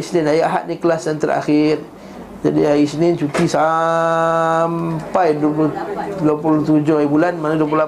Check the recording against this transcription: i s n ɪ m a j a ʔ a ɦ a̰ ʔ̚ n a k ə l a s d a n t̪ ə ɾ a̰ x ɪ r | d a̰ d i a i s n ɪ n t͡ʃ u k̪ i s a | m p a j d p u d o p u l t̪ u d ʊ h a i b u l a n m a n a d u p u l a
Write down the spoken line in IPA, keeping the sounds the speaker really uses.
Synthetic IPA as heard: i s n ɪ n a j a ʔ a ɦ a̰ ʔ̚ n i k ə l a s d a n t̪ ə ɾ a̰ x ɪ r | d͡ʒ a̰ d i a i s n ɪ n t͡ʃ u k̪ i s a | m p a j d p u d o p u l t̪ u d͡ʒ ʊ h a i b u l a n m a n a d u p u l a